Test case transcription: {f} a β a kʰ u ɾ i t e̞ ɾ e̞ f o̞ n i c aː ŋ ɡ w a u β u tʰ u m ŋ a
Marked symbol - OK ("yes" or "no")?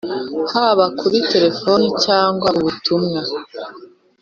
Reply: no